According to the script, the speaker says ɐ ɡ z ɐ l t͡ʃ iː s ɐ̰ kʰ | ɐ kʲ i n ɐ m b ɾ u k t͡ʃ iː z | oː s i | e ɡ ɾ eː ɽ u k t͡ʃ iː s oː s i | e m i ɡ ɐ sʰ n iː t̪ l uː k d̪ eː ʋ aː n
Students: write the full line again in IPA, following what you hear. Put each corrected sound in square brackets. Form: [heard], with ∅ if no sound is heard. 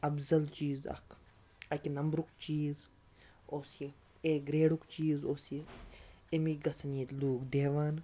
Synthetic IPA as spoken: ɐ [b] z ɐ l t͡ʃ iː [z] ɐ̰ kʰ | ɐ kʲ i n ɐ m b ɾ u k t͡ʃ iː z | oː s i | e ɡ ɾ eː ɽ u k t͡ʃ iː [z] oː s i | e m i ɡ ɐ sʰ n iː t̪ l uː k d̪ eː ʋ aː n